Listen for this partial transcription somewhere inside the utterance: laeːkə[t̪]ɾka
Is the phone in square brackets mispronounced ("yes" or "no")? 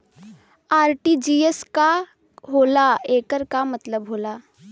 yes